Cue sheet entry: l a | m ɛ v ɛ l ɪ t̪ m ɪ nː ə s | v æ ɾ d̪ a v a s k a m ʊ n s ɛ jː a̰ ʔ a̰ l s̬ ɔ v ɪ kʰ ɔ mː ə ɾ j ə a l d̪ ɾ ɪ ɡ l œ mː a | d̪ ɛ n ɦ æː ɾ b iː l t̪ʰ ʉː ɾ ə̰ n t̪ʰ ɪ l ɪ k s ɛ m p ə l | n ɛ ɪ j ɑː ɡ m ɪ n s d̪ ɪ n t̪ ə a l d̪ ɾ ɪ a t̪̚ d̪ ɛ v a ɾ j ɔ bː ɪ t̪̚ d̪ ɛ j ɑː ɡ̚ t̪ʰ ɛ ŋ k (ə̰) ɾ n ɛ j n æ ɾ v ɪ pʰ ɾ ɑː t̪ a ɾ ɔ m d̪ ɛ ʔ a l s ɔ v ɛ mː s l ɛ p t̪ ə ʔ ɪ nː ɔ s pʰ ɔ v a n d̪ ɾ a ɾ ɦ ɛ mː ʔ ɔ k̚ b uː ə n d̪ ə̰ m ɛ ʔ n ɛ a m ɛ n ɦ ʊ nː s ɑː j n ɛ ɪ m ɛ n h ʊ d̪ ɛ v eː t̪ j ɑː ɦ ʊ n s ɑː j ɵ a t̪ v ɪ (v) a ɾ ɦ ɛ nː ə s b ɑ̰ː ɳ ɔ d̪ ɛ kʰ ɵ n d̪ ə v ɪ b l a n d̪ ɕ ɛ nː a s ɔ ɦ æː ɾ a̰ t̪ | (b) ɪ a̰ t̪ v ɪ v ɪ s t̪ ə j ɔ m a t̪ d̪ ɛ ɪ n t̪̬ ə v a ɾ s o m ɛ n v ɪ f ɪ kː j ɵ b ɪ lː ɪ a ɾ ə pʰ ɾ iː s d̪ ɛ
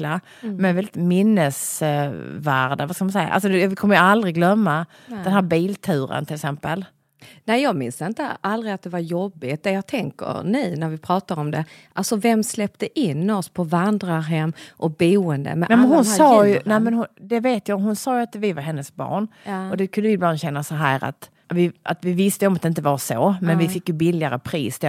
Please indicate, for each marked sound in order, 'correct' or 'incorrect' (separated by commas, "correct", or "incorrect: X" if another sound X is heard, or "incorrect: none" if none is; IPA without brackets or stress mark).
correct, correct, incorrect: v